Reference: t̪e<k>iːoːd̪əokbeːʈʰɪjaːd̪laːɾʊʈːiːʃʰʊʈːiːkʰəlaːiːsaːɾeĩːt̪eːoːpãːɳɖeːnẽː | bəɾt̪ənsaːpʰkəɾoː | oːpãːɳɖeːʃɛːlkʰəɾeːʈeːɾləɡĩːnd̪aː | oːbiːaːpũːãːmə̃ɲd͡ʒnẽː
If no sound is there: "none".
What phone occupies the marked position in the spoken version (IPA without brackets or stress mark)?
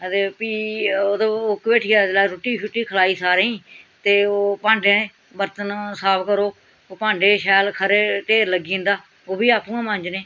p